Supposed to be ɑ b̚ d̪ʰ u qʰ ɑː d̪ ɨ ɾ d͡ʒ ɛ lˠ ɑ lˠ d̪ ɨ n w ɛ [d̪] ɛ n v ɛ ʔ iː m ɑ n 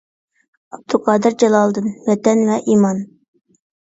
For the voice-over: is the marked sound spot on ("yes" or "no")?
no